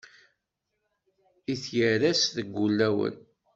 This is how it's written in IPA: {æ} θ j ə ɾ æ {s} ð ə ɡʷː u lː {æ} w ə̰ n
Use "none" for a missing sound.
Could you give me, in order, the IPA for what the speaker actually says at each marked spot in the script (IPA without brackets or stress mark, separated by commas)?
i, s, æ